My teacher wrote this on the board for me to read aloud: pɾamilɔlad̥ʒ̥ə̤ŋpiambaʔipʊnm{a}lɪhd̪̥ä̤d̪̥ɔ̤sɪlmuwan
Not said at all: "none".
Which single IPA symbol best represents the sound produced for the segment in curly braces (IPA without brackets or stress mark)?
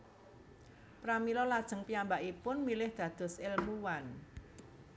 i